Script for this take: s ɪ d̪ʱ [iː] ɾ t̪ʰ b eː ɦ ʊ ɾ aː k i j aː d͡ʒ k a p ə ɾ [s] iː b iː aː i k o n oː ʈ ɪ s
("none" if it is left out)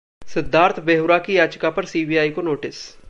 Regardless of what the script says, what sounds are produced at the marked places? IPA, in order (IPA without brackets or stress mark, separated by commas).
aː, s